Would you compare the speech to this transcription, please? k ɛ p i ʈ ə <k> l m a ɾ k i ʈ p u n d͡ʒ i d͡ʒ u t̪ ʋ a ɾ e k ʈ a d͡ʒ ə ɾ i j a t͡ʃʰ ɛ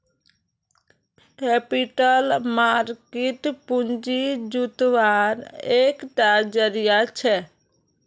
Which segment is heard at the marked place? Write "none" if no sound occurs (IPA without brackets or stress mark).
none